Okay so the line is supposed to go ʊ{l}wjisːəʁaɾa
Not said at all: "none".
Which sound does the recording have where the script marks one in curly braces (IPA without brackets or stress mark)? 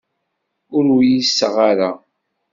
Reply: ɾ